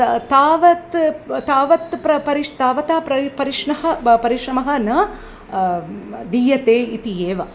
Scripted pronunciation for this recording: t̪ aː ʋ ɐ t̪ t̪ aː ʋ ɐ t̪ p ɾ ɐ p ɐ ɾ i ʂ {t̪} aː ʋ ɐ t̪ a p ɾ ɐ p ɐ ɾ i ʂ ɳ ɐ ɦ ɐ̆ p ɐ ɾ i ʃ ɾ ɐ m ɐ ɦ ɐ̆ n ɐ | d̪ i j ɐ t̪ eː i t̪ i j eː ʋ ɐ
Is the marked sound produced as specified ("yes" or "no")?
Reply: yes